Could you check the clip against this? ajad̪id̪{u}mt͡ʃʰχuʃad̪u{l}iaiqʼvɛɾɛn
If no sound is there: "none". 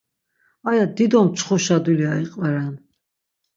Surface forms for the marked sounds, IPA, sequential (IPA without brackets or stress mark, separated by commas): ɔ, l